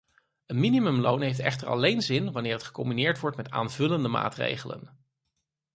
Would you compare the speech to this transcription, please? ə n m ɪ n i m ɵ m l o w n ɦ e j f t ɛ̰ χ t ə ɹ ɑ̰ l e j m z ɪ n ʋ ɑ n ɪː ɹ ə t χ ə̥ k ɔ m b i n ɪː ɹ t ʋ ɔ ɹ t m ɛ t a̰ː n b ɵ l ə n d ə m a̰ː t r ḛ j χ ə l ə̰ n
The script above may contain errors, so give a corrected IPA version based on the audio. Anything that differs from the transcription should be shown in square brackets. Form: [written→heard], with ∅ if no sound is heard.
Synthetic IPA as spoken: ə n m [ɪ→i] n i m ɵ m l o w n ɦ e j f t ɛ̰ χ t ə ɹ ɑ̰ l e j [m→n] z ɪ n ʋ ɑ n ɪː ɹ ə t χ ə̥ k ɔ m b i n ɪː ɹ t ʋ ɔ ɹ t m ɛ t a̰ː n [b→v] ɵ l ə n d ə m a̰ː t r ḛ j χ ə l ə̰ n